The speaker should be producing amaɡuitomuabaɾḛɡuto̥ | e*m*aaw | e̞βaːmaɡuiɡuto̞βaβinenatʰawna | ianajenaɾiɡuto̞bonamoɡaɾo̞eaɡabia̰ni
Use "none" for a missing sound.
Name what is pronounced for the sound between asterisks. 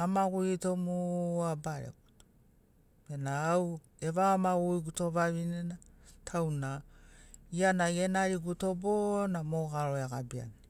n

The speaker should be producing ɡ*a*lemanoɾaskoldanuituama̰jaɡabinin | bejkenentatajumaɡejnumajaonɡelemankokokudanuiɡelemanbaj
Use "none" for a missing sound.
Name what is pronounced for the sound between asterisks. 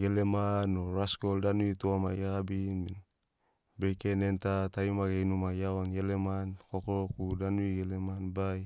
e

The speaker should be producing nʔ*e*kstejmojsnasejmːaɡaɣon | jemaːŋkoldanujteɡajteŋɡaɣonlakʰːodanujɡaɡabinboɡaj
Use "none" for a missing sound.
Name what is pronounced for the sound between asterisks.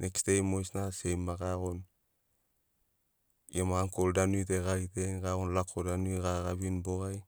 e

